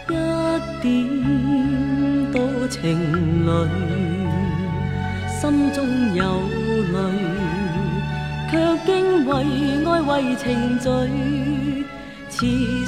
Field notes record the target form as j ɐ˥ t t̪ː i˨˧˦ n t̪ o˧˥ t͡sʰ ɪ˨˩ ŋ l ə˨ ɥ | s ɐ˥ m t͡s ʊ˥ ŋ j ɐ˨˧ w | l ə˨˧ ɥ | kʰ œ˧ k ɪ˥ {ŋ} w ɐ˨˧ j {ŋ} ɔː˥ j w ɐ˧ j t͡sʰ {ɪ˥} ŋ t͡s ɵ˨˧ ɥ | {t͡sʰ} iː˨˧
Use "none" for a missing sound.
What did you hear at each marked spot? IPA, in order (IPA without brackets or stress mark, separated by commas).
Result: ŋ, ŋ, ɪ˨˩, t͡sʰ